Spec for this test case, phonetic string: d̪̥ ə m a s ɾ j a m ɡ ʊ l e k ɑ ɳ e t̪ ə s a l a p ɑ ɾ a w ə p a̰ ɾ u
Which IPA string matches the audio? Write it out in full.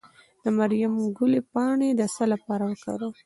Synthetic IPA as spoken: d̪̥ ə m a ɾ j a m ɡ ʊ l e p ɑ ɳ e d̪ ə s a l a p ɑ ɾ a w ə k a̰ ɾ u